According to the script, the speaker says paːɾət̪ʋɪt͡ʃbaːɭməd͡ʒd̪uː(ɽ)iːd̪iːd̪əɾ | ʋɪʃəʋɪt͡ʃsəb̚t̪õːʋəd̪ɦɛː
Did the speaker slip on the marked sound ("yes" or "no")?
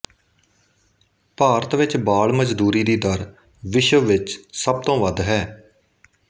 yes